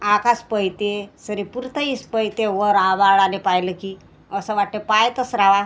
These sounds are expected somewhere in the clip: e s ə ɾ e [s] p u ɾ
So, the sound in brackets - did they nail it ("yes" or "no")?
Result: no